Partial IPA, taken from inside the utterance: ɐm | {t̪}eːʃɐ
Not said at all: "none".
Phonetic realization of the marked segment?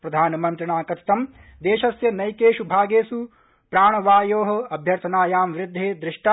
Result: d̪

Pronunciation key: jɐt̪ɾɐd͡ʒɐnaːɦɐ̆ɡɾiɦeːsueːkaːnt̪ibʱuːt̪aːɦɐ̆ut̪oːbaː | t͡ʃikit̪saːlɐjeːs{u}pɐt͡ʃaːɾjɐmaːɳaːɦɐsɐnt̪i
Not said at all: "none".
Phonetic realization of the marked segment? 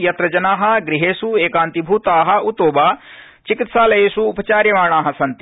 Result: uː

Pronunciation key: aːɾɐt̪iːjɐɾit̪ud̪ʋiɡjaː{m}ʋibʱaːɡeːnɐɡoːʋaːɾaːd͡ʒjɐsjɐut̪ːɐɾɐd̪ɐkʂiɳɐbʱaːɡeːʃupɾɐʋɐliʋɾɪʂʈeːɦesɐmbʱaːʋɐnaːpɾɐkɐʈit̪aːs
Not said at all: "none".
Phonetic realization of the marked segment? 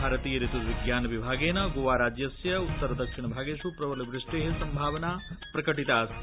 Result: n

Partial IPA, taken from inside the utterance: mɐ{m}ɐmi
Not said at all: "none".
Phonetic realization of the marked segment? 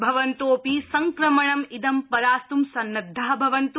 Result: ɳ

